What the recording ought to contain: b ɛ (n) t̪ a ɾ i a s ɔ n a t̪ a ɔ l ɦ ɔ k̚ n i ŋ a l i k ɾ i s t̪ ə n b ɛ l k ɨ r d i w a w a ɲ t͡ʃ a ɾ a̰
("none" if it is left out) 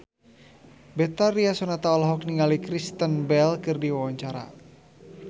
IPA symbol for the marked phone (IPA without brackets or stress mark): none